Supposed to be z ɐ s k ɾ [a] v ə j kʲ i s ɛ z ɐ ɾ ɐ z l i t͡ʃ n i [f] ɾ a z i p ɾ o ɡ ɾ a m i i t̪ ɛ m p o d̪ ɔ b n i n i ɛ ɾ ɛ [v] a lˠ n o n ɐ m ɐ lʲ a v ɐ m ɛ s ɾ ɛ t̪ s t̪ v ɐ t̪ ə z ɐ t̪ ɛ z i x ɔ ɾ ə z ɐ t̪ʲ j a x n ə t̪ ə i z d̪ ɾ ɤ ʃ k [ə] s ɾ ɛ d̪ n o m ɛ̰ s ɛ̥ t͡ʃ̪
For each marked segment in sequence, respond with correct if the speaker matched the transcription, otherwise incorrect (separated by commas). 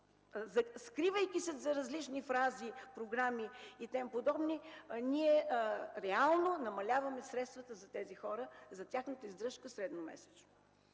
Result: incorrect, correct, incorrect, correct